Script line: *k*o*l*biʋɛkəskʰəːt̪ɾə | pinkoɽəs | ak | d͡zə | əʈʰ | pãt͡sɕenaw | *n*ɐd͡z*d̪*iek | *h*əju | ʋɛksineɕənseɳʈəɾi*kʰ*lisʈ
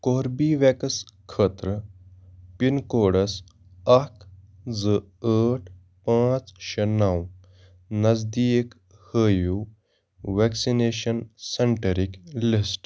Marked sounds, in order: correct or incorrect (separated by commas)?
correct, incorrect, correct, correct, correct, incorrect